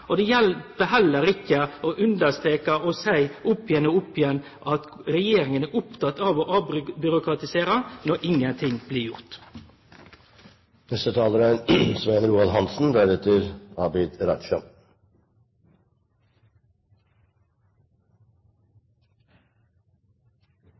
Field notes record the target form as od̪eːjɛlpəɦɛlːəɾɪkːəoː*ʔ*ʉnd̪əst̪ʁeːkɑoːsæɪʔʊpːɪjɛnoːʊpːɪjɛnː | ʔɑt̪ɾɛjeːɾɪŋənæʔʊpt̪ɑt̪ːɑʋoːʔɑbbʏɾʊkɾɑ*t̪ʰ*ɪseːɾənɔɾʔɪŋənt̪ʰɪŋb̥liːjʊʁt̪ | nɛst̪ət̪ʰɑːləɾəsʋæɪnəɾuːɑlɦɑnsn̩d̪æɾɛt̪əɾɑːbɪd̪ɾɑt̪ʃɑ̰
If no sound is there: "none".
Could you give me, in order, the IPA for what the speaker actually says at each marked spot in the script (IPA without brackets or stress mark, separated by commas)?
ʔ, t̪